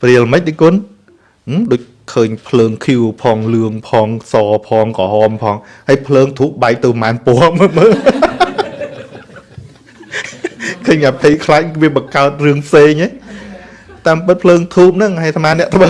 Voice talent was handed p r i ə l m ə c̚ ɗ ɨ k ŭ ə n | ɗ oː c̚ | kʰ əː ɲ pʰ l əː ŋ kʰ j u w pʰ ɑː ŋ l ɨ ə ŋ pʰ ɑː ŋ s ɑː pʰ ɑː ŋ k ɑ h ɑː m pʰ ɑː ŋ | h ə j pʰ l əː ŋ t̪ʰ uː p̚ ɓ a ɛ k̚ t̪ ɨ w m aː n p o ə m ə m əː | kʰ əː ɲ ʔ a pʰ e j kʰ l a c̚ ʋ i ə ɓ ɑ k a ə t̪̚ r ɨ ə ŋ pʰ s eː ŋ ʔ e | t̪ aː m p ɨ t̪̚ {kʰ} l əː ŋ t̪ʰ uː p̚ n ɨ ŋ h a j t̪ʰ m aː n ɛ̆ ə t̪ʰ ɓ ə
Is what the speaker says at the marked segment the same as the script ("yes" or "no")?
no